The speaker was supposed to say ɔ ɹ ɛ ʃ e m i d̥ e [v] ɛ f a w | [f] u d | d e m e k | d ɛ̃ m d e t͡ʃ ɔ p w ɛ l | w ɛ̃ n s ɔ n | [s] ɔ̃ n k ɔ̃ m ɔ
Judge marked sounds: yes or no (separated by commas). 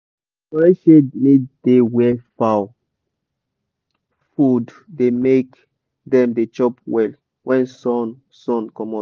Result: no, yes, yes